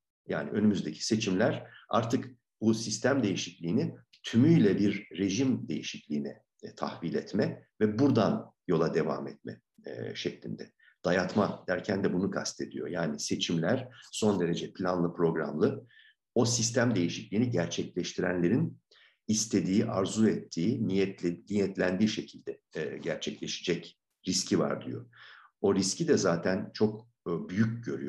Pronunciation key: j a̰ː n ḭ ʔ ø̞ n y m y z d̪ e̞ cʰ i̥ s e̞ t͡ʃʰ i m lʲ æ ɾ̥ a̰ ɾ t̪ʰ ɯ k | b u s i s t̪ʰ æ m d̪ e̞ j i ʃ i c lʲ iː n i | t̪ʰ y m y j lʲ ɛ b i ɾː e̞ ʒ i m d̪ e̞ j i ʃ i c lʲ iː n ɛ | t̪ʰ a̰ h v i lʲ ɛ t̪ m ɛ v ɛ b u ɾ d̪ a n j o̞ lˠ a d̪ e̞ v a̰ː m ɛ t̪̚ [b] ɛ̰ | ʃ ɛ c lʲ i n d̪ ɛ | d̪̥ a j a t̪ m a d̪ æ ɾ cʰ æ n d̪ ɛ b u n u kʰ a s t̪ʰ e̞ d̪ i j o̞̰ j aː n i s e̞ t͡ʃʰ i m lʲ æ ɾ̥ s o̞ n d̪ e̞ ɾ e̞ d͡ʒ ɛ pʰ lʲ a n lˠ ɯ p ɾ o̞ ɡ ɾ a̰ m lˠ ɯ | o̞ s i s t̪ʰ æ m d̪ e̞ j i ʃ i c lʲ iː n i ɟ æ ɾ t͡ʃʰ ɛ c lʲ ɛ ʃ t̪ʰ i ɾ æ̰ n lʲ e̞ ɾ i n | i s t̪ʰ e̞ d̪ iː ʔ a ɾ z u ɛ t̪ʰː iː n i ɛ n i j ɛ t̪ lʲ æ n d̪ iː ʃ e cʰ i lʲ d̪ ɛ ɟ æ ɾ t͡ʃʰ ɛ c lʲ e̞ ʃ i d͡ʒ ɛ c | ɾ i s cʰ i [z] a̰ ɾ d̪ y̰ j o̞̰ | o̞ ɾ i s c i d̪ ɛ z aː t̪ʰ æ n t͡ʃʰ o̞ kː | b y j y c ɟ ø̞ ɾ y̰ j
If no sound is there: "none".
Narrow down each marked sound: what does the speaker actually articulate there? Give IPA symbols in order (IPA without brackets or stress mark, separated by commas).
m, v